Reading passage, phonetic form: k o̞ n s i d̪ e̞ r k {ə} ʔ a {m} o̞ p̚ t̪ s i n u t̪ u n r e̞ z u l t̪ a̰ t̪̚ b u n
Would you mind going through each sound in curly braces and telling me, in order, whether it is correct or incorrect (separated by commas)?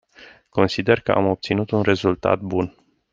correct, correct